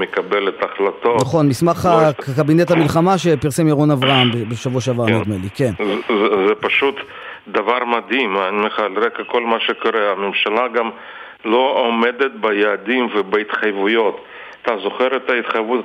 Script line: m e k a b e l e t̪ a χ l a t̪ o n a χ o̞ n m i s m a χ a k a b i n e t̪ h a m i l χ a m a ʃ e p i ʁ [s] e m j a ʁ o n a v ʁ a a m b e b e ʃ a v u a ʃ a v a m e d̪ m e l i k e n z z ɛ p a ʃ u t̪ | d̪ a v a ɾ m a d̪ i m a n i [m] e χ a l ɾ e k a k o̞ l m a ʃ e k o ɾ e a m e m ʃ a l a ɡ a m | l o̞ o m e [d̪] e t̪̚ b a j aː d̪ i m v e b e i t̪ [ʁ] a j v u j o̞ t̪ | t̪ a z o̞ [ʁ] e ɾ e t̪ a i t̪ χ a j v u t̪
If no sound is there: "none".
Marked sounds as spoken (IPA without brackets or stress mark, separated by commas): s, m, d̪, χ, χ